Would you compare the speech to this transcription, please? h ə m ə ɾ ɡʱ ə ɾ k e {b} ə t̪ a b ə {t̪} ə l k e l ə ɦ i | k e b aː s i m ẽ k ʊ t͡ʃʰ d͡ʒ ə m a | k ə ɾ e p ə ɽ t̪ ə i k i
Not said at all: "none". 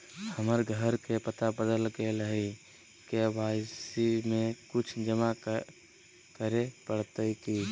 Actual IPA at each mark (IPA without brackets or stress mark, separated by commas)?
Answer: p, d̪